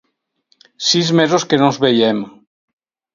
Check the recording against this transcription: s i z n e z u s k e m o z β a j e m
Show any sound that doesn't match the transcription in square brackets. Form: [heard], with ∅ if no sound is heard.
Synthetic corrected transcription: s i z [m] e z [o] s k e [n] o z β [e] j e m